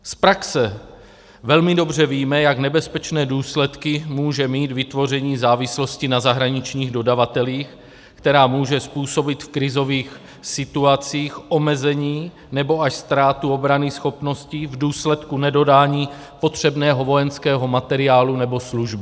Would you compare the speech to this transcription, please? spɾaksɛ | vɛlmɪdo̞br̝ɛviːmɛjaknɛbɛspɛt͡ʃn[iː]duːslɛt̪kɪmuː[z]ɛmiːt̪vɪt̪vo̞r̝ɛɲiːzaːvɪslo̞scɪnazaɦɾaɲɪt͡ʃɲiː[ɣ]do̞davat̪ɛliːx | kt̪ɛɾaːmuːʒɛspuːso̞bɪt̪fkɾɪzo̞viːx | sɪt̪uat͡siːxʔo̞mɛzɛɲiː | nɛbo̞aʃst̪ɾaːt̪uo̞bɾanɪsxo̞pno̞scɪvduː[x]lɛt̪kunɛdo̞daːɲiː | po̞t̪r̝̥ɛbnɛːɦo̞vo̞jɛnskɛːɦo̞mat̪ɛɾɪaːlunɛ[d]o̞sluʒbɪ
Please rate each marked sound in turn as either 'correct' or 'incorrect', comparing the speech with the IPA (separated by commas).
incorrect, incorrect, correct, incorrect, incorrect